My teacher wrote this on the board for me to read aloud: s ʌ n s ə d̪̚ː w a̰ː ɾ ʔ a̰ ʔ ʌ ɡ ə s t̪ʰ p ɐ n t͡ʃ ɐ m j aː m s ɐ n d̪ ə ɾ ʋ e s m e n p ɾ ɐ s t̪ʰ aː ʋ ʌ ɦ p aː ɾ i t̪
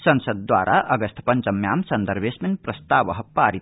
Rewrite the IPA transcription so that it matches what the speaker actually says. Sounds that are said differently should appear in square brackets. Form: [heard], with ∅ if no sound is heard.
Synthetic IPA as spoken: s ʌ n s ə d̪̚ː w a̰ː ɾ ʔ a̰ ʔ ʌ ɡ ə s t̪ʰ p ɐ n t͡ʃ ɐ m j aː m s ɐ n d̪ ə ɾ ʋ e s m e n p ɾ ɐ s [t̪] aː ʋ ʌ ɦ p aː ɾ i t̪